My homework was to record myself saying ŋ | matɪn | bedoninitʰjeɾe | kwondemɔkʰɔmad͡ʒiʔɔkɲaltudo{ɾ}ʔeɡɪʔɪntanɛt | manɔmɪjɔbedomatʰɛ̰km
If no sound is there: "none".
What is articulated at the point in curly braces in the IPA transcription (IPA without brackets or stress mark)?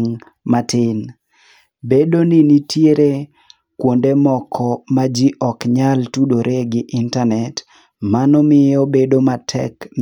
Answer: ɾ